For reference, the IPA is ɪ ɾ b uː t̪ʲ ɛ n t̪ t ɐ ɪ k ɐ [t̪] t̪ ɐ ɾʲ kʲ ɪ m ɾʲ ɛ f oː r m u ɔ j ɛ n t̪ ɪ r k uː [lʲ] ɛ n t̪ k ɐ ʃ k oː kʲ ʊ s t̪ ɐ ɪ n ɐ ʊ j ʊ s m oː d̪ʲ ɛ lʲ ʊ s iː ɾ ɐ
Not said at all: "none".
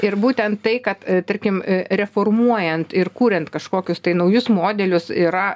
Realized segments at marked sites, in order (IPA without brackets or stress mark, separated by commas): t̪, ɾʲ